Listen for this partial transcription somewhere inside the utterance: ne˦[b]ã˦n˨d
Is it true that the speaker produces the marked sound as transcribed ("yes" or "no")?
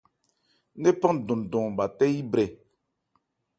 no